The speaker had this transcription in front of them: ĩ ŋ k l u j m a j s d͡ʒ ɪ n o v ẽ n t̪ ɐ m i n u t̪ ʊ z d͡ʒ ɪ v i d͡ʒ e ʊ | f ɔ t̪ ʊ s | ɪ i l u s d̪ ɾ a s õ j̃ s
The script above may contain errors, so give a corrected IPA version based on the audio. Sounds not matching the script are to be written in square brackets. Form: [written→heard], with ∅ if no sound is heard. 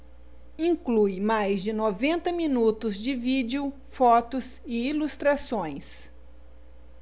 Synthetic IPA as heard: ĩ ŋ k l u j m a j [s→z] d͡ʒ ɪ n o v ẽ n t̪ ɐ m i n u t̪ ʊ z d͡ʒ ɪ v i d͡ʒ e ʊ | f ɔ t̪ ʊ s | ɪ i l u s [d̪→t̪] ɾ a s õ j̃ s